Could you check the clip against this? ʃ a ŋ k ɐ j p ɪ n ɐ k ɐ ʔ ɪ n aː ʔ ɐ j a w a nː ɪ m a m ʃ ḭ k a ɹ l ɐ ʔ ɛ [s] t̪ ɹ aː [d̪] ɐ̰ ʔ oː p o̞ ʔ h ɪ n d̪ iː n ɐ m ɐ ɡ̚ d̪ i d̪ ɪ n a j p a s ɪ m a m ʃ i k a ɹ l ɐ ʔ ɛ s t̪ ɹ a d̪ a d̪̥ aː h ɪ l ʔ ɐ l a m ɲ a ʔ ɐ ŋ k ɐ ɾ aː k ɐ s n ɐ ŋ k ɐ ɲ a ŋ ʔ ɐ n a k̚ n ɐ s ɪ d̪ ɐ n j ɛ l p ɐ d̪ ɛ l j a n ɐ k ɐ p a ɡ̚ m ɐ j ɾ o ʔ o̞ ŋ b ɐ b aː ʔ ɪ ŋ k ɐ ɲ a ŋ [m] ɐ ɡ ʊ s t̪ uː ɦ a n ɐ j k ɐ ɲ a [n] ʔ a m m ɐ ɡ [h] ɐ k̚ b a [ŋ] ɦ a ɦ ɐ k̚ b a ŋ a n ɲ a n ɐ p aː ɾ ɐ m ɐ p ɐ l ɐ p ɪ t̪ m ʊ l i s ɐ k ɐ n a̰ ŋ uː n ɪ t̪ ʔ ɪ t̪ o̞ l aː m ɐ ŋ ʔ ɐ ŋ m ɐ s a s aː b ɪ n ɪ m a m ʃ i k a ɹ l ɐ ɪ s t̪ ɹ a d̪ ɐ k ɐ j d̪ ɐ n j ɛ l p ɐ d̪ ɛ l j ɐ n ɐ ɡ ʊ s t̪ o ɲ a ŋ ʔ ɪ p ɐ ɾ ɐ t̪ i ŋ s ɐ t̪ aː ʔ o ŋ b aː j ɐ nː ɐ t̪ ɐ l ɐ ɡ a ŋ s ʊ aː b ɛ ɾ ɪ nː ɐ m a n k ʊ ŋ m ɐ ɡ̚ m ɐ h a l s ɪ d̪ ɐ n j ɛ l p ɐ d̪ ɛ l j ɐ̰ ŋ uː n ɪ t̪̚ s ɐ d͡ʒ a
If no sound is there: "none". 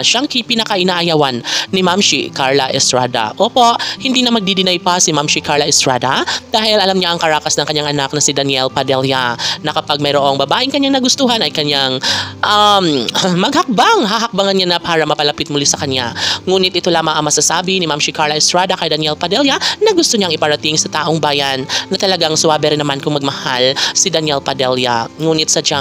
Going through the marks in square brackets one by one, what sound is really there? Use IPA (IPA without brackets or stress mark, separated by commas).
s, d̪, n, ŋ, h, ŋ